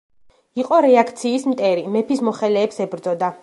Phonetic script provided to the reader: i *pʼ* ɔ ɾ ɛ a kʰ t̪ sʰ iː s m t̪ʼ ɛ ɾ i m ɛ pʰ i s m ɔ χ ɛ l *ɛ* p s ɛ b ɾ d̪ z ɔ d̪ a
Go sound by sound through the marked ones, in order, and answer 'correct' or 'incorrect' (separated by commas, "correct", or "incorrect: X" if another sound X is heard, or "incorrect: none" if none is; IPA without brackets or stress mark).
incorrect: qʼ, incorrect: ɛː